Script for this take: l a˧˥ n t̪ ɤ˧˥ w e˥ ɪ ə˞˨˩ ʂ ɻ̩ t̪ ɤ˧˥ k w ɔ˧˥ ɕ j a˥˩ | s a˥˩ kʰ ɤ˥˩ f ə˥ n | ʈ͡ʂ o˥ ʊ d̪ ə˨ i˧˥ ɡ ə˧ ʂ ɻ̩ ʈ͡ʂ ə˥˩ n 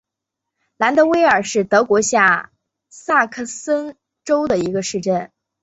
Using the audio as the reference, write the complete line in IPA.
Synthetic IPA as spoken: l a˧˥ n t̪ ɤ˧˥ w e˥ ɪ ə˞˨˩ ʂ ɻ̩ t̪ ɤ˧˥ k w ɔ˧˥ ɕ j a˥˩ | s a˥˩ kʰ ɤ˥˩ s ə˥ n | ʈ͡ʂ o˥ ʊ d̪ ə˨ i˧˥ ɡ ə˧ ʂ ɻ̩ ʈ͡ʂ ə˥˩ n

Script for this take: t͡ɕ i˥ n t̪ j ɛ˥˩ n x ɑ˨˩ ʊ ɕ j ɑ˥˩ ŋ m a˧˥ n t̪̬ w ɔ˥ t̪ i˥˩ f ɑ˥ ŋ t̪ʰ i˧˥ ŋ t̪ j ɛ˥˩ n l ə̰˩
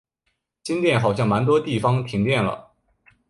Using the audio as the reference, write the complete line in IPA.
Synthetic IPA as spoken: t͡ɕ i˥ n t̪ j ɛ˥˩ n x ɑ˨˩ ʊ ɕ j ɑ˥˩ ŋ m a˧˥ n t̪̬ w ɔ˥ t̪ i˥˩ f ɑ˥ ŋ t̪ʰ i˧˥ ŋ t̪ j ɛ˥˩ n l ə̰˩

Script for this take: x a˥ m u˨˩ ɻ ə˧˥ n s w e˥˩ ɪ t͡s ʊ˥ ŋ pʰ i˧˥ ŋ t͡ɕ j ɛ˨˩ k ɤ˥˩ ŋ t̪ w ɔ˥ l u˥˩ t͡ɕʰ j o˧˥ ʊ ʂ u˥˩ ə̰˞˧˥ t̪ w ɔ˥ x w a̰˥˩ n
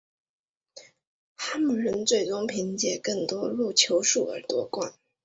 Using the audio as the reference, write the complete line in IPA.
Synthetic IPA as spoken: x a˥ m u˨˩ ɻ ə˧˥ n t͡s w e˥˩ ɪ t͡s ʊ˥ ŋ pʰ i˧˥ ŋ t͡ɕ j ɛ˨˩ k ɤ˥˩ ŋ t̪ w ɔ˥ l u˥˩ t͡ɕʰ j o˧˥ ʊ ʂ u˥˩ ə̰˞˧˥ t̪ w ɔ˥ k w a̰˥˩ n

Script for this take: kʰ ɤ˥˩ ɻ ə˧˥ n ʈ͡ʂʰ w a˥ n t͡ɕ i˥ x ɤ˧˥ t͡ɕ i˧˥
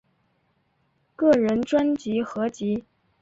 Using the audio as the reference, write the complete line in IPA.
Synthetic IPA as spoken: k ɤ˥˩ ɻ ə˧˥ n ʈ͡ʂ w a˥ n t͡ɕ i˧˥ x ɤ˧˥ t͡ɕ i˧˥

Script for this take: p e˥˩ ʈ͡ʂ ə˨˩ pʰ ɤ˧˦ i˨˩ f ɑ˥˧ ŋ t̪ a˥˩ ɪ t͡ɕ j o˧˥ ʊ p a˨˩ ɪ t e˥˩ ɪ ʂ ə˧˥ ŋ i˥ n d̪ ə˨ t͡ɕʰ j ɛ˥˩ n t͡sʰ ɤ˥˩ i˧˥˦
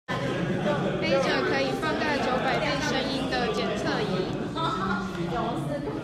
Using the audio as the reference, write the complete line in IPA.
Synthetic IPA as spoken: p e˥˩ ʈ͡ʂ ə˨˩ kʰ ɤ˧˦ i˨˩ f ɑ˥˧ ŋ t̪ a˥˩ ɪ t͡ɕ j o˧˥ ʊ p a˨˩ ɪ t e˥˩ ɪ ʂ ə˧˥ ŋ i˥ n d̪ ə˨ t͡ɕ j ɛ˨˩ n t͡sʰ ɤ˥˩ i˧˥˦

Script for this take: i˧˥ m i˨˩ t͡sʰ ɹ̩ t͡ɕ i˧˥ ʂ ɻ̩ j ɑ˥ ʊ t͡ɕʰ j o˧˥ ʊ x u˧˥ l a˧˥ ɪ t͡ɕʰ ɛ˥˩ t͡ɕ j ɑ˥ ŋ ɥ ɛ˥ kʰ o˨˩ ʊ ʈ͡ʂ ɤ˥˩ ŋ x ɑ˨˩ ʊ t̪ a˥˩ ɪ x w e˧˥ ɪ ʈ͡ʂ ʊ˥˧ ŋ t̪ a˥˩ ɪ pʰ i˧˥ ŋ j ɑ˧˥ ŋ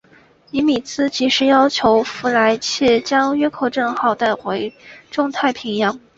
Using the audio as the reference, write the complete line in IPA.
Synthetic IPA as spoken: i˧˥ m i˨˩ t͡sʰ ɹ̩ t͡ɕ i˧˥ ʂ ɻ̩ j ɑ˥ ʊ t͡ɕʰ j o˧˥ ʊ f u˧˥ l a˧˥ ɪ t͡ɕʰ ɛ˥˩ t͡ɕ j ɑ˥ ŋ ɥ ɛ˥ kʰ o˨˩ ʊ ʈ͡ʂ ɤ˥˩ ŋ x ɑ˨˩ ʊ t̪ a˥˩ ɪ x w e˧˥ ɪ ʈ͡ʂ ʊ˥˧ ŋ t̪ʰ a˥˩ ɪ pʰ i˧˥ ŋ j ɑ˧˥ ŋ

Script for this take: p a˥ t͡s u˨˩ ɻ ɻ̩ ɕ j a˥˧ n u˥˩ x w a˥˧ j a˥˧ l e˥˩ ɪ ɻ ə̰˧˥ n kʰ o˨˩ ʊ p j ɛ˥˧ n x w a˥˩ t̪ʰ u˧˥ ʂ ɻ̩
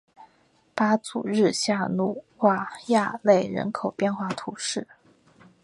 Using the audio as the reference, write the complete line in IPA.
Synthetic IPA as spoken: p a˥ t͡s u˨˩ ɻ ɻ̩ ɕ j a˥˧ n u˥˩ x w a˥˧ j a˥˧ l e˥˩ ɪ ɻ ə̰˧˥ n kʰ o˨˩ ʊ p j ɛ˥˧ n x w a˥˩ t̪ʰ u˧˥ ʂ ɻ̩

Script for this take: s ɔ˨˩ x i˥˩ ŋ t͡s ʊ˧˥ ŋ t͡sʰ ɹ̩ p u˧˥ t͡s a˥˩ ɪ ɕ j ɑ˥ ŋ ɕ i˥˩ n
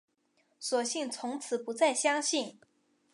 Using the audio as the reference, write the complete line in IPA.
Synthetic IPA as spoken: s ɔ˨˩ ɕ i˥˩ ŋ t͡sʰ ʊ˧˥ ŋ t͡sʰ ɹ̩ p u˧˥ t͡s a˥˩ ɪ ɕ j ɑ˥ ŋ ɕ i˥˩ n

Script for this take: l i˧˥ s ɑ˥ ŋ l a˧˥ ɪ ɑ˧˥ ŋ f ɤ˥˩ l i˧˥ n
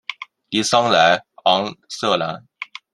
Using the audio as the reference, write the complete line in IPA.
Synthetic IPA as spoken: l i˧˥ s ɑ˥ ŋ l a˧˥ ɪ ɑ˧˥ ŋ s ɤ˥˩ l a˧˥ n

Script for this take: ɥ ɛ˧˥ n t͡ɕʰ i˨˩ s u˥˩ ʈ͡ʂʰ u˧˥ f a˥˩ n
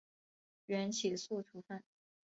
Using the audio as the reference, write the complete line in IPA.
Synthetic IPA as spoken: ɥ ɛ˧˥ n t͡ɕʰ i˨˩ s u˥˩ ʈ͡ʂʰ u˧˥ f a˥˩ n

